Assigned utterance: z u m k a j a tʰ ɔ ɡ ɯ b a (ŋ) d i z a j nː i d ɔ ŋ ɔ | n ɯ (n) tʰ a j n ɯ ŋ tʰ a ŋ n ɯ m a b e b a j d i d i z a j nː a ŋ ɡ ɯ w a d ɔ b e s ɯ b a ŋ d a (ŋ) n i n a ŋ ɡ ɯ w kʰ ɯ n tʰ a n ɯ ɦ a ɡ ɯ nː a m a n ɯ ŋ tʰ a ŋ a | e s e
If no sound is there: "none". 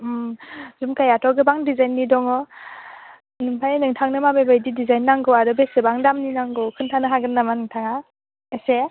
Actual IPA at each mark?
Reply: ŋ, ŋ, m

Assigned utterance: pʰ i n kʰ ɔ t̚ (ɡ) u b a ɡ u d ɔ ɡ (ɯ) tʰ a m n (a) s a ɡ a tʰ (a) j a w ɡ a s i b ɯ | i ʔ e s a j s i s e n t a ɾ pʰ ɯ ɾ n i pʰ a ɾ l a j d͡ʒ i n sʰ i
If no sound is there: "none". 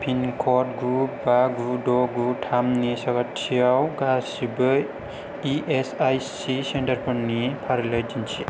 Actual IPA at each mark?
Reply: ɡ, u, i, i

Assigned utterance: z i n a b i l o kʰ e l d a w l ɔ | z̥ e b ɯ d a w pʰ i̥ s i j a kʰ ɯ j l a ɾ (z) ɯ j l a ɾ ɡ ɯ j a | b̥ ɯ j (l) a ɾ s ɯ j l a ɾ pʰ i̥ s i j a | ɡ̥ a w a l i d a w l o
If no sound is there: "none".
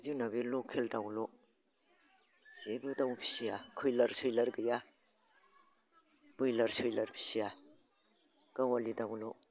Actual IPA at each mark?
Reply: s, l

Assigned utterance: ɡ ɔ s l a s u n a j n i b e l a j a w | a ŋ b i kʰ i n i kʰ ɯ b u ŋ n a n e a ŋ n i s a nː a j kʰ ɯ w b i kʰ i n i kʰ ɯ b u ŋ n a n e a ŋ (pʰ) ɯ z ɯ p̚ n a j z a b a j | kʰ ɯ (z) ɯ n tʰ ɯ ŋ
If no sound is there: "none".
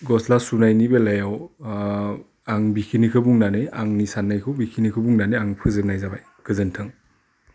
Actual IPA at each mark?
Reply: pʰ, z

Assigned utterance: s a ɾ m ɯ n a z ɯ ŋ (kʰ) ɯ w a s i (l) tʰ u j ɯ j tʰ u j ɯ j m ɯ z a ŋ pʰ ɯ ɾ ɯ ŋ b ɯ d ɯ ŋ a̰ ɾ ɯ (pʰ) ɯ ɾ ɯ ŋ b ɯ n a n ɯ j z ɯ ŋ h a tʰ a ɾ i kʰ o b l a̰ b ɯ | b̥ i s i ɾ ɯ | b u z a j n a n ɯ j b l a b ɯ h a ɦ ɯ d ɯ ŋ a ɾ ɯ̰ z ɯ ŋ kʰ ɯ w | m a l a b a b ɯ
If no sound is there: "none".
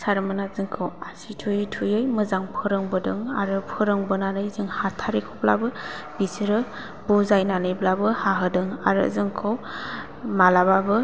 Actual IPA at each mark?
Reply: kʰ, none, pʰ

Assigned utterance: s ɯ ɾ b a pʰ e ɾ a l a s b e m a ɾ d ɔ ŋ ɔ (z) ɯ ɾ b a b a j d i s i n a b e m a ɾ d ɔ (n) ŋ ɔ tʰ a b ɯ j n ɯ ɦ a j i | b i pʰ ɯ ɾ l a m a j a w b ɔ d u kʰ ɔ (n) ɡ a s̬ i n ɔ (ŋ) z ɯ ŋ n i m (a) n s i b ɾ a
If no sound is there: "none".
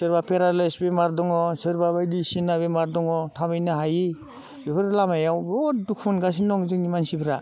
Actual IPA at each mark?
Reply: s, none, n, ŋ, a

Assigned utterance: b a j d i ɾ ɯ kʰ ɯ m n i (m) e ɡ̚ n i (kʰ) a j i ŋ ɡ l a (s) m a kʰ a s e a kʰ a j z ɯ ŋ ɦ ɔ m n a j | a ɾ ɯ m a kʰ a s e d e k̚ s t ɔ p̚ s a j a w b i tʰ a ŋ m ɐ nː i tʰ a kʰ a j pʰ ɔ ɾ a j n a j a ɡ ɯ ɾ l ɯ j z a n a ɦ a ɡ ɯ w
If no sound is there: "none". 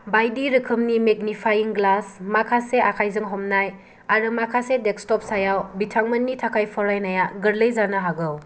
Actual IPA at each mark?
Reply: m, pʰ, s

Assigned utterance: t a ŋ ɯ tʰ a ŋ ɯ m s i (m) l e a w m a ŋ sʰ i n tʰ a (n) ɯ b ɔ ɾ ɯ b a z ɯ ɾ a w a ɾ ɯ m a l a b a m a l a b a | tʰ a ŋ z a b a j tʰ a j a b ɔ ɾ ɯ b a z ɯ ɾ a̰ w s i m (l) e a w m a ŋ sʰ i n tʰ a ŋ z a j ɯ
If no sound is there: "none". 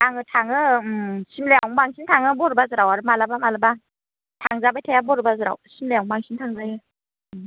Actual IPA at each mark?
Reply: m, ŋ, l

